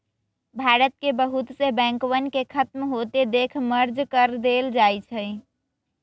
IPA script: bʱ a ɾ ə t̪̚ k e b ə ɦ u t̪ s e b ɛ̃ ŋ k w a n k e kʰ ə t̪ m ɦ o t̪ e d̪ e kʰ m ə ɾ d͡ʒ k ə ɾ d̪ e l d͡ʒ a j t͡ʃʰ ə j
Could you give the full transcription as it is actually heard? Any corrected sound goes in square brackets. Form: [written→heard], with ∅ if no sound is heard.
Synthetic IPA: bʱ a ɾ ə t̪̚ k e b ə ɦ u t̪ s e b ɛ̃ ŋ k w [a→ə] n k e kʰ ə t̪ m ɦ o t̪ e d̪ e kʰ m ə ɾ d͡ʒ k ə ɾ d̪ e l d͡ʒ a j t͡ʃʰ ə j